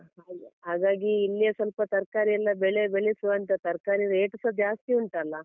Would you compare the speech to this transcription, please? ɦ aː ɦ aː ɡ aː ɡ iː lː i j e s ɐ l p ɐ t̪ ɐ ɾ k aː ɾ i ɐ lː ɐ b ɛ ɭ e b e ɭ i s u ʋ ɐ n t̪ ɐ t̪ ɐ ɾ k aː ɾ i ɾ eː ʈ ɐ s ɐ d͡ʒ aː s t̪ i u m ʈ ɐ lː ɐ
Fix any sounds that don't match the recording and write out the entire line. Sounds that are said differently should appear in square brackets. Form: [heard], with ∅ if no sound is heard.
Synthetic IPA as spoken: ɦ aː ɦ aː ɡ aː ɡ iː lː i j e s ɐ l p ɐ t̪ ɐ ɾ k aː ɾ i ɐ lː ɐ b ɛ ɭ e b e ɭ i s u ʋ ɐ n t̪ ɐ t̪ ɐ ɾ k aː ɾ i ɾ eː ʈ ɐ s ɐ d͡ʒ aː s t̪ i u [ɳ] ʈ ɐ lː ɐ